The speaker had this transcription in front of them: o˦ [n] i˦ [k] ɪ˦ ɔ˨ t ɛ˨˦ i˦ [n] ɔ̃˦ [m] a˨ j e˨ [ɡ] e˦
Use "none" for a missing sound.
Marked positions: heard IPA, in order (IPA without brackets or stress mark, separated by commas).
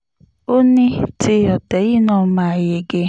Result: n, t, n, m, ɡ